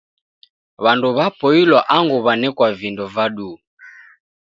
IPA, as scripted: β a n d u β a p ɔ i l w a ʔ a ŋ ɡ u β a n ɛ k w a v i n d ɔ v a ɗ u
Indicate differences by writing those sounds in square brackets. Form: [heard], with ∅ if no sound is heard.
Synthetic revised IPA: β a n d u β a p ɔ i l w a ʔ a ŋ ɡ u β a n ɛ k w a v i n d ɔ v a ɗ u